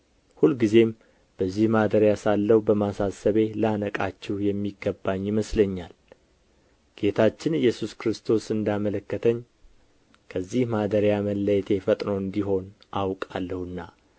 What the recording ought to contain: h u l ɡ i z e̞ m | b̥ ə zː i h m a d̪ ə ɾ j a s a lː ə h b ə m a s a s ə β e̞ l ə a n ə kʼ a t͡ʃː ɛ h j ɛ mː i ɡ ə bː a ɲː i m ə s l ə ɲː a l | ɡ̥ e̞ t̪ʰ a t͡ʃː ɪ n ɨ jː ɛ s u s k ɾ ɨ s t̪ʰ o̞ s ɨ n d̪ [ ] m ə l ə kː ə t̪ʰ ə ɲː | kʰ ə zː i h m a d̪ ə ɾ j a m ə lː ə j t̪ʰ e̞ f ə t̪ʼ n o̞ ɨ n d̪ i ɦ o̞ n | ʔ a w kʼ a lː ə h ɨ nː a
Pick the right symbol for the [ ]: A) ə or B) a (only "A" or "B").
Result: B